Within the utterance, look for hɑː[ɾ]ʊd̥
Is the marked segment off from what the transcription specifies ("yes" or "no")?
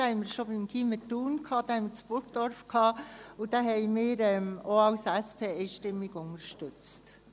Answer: yes